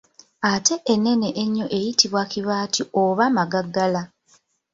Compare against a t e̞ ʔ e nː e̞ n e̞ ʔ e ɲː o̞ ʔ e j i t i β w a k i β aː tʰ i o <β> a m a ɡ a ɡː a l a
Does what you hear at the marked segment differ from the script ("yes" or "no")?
no